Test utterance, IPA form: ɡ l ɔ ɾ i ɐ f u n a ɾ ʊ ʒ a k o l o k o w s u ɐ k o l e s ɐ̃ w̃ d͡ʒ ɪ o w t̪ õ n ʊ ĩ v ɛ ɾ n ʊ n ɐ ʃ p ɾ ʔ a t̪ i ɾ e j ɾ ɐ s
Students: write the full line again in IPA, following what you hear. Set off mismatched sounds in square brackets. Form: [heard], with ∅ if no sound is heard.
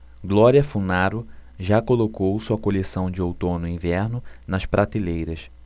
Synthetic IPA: ɡ l ɔ ɾ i ɐ f u n a ɾ ʊ ʒ a k o l o k o w s u ɐ k o l e s ɐ̃ w̃ d͡ʒ ɪ o w t̪ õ n ʊ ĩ v ɛ ɾ n ʊ n ɐ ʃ p ɾ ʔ a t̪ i [l] e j ɾ ɐ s